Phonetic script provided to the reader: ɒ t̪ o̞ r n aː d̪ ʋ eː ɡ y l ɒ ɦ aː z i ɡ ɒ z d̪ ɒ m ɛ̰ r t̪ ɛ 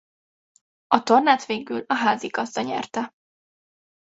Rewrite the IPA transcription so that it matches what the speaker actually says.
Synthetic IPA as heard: ɒ t̪ o̞ r n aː t̪ ʋ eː ɡ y l ɒ ɦ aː z i ɡ ɒ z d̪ ɒ ɲ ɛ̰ r t̪ ɛ